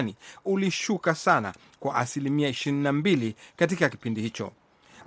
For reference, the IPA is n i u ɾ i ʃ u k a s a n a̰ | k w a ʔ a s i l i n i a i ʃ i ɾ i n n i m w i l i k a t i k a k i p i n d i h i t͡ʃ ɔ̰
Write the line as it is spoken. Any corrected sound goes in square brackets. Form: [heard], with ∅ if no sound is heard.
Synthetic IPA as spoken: n i u [l] i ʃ u k a s a n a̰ | k w a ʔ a s i l i [m] i a i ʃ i ɾ i n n [a] m [b] i l i k a t i k a k i p i n d i h i t͡ʃ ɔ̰